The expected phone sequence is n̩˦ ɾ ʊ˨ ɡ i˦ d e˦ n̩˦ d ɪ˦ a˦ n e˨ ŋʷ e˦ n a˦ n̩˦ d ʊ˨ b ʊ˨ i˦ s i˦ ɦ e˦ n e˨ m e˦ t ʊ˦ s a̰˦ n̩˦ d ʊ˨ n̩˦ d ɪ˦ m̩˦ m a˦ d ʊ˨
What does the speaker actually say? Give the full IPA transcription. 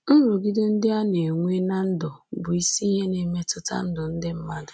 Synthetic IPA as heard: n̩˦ ɾ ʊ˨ ɡ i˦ d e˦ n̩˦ d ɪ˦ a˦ n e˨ ŋʷ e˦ n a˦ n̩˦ d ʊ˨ b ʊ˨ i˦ s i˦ ɦ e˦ n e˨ m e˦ t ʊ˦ t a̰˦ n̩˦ d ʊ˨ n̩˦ d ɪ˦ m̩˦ m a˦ d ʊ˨